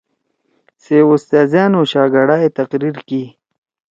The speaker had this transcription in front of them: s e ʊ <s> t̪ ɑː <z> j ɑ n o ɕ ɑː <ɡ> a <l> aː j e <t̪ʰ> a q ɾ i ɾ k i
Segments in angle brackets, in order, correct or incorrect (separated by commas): correct, correct, correct, incorrect, incorrect